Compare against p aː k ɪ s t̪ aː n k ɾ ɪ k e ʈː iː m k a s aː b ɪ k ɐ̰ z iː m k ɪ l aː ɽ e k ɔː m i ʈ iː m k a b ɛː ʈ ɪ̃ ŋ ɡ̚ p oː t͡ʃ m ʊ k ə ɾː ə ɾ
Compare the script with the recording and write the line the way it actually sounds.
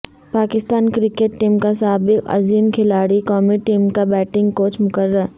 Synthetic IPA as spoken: p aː k ɪ s t̪ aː n k ɾ ɪ k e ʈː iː m k a s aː b ɪ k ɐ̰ z iː m kʰ ɪ l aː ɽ i k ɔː m i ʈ iː m k a b ɛː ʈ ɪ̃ ŋ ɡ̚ k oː t͡ʃ m ʊ k ə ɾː ə ɾ